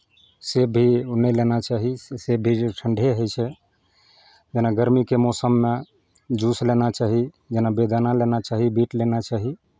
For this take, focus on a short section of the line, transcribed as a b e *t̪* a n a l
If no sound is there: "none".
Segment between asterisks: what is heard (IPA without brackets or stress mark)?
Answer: d̪